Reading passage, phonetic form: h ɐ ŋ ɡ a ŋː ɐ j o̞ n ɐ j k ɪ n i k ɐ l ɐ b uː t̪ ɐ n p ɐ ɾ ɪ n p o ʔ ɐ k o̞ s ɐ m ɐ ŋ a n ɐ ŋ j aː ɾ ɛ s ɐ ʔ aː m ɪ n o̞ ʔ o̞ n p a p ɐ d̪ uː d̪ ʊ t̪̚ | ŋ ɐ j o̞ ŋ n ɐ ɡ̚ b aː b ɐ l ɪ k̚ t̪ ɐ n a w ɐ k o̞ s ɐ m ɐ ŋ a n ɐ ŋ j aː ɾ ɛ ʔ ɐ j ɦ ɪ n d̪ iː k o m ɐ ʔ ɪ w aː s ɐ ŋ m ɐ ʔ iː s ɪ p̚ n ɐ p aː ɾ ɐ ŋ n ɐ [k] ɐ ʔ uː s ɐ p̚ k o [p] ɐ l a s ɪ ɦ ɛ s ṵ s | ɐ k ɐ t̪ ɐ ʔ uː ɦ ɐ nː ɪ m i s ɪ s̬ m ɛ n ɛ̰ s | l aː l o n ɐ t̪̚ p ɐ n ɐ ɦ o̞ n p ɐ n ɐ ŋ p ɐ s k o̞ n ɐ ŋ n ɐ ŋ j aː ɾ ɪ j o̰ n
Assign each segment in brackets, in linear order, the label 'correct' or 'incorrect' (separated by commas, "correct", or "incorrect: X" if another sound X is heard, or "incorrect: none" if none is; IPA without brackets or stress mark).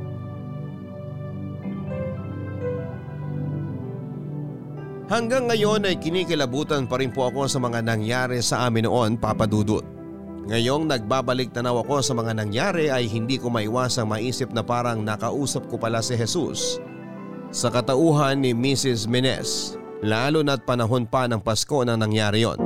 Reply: correct, correct